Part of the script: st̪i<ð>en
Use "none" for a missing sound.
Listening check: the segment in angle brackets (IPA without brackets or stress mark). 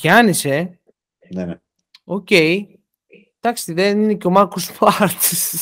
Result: ð